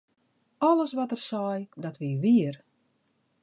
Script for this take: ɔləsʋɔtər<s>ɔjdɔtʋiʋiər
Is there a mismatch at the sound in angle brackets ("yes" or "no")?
no